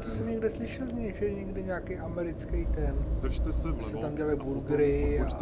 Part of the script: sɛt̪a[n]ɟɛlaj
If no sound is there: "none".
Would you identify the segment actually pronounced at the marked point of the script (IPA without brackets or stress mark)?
m